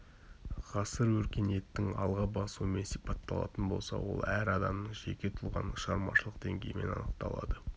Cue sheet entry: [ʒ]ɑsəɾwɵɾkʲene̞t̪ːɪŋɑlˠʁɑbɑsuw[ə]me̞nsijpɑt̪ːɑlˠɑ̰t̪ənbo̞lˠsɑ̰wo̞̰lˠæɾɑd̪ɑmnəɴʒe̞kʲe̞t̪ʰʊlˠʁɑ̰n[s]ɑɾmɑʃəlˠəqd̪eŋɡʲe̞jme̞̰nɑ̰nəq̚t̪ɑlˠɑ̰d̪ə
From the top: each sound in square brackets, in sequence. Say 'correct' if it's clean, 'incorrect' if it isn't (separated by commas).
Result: incorrect, correct, incorrect